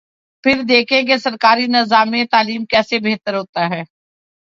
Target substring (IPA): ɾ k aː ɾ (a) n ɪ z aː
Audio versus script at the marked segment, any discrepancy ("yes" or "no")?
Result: yes